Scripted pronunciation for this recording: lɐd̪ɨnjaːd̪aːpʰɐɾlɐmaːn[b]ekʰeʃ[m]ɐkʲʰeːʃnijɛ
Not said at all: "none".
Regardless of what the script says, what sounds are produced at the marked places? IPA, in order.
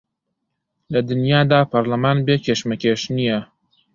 b, m

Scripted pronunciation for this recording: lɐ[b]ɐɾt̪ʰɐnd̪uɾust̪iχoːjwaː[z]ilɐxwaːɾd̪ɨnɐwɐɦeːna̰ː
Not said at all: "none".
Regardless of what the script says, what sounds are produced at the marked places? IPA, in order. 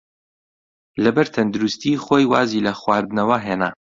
b, z

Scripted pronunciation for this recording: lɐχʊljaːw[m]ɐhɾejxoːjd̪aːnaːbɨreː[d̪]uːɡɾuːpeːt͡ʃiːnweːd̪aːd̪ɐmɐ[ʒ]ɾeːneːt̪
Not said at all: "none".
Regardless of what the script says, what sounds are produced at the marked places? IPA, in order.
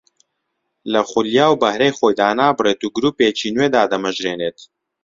b, t̪, ʒ

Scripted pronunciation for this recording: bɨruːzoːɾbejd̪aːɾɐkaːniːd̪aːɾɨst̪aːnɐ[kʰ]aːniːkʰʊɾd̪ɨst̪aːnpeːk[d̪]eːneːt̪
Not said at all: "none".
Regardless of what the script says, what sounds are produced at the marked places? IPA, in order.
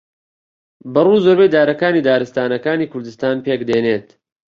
k, d̪

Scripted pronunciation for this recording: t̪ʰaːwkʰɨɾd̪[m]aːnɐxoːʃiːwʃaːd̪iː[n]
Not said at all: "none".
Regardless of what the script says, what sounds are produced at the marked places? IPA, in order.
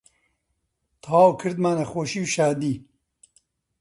m, none

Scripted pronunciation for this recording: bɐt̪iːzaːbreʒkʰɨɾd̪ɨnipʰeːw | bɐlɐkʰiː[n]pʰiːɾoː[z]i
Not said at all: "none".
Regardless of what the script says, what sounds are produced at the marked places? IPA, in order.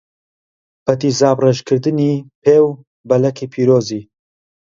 none, z

